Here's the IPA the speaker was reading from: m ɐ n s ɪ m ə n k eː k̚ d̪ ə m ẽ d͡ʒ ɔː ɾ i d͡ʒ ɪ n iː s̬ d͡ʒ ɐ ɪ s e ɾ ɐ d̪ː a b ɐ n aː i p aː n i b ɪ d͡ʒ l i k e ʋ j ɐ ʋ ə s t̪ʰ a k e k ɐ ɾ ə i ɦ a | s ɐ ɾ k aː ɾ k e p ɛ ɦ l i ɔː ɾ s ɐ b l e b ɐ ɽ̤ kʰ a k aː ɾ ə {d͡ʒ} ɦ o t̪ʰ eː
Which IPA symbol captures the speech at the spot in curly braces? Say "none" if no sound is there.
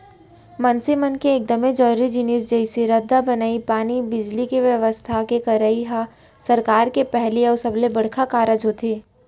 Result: d͡ʒ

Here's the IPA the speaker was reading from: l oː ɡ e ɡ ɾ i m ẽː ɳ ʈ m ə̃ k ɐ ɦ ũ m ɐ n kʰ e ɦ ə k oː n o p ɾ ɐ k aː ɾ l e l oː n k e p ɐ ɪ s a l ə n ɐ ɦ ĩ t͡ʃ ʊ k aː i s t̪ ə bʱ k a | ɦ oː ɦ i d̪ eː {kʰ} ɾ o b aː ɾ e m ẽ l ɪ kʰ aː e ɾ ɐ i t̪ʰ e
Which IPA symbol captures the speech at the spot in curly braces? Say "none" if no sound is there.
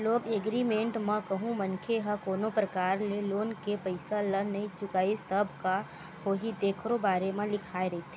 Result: kʰ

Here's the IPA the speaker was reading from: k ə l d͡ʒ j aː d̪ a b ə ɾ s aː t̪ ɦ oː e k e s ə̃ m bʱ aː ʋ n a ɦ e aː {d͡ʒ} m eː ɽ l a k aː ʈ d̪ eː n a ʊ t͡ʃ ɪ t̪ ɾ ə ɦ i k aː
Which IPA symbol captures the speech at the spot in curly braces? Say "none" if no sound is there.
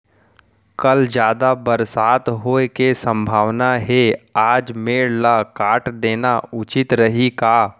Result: d͡ʒ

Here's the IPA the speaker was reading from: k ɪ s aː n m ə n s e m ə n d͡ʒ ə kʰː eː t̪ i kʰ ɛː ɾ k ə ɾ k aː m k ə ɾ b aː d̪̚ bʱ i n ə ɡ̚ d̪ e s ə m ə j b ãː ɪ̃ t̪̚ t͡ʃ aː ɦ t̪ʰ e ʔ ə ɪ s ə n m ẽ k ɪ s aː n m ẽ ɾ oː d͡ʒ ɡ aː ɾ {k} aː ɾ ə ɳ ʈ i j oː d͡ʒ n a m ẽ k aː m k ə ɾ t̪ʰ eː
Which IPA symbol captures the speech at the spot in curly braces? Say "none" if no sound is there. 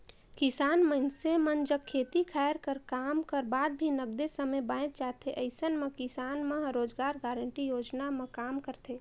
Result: ɡ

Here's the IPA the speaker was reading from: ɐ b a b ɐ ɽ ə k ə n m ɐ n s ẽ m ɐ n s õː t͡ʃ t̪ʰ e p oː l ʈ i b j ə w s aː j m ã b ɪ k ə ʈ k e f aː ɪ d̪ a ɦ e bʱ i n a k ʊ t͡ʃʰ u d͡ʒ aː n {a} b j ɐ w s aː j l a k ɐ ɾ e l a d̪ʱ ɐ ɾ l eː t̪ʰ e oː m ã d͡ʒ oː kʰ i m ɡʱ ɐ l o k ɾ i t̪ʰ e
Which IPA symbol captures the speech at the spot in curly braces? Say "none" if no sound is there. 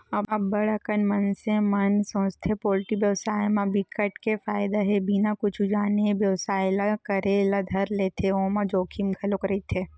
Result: e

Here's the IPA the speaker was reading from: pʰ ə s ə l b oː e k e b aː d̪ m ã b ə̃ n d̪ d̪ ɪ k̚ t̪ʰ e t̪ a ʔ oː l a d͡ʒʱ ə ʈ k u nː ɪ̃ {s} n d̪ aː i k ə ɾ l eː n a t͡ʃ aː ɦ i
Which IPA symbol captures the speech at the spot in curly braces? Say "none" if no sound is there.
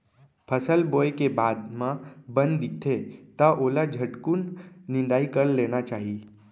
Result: none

